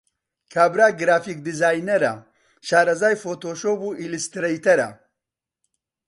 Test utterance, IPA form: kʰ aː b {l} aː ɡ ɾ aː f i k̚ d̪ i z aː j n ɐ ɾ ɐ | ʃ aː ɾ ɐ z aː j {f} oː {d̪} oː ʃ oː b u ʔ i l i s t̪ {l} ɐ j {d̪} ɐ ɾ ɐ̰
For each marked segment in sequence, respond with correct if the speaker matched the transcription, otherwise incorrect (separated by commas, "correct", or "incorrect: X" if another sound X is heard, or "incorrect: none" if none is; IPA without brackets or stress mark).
incorrect: ɾ, correct, incorrect: t̪, incorrect: ɾ, incorrect: t̪